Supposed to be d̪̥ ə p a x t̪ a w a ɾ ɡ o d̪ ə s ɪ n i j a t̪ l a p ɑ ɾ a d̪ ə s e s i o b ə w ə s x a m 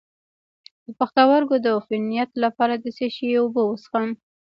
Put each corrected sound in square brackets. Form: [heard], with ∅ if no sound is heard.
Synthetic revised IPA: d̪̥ ə p a x t̪ a w a ɾ ɡ o d̪ ə [f] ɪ n i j a t̪ l a p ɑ ɾ a d̪ ə s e [ʃ] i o b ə w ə s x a m